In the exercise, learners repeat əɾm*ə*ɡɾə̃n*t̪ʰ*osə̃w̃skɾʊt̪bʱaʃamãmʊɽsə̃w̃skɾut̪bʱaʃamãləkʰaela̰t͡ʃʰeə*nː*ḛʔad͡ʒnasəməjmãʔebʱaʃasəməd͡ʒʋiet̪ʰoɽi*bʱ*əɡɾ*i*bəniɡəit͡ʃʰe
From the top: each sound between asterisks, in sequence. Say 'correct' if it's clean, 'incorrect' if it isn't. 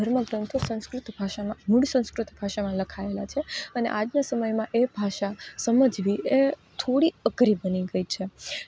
correct, correct, incorrect: n, incorrect: none, correct

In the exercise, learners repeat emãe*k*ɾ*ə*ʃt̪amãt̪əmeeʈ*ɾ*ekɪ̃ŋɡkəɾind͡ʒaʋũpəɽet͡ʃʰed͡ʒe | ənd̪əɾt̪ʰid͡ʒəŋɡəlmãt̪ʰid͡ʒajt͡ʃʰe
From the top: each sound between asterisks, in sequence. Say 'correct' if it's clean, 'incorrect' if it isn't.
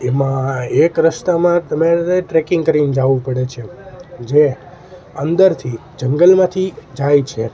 correct, correct, correct

